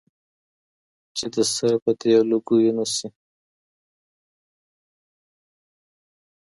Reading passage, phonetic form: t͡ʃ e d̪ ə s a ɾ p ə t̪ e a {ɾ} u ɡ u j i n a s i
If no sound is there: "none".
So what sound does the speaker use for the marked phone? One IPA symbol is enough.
l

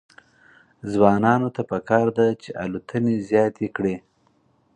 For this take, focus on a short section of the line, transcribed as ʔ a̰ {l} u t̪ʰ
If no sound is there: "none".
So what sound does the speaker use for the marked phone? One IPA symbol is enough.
l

